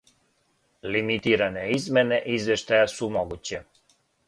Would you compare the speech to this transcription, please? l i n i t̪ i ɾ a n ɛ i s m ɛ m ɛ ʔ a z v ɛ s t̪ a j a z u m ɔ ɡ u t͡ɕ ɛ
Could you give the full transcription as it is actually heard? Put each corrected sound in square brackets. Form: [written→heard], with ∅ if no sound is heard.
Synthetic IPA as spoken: l i [n→m] i t̪ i ɾ a n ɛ i [s→z] m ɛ [m→n] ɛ ʔ [a→i] z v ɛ [s→ʃ] t̪ a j a [z→s] u m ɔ ɡ u t͡ɕ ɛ